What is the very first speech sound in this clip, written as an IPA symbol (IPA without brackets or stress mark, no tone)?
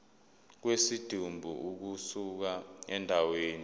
k̬